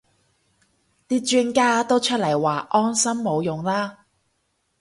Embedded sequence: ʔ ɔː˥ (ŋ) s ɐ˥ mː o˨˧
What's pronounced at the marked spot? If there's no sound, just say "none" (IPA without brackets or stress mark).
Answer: n